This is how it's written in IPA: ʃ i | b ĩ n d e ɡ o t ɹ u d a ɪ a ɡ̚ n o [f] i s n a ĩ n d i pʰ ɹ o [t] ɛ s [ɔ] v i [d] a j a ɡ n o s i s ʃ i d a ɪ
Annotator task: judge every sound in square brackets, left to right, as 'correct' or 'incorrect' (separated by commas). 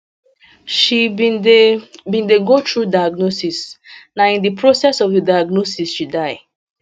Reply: incorrect, incorrect, correct, correct